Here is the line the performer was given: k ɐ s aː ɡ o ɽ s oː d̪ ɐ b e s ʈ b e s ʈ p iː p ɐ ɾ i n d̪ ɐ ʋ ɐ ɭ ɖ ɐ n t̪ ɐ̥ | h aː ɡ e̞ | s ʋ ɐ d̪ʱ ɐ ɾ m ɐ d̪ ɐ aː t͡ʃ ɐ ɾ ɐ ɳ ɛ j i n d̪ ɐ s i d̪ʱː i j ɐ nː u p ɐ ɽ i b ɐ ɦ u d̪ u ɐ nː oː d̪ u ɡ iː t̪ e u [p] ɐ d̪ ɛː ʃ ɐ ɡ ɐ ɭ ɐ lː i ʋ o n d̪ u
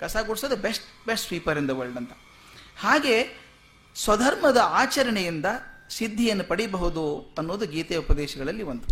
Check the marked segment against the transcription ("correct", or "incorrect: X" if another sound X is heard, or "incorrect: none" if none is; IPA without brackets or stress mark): correct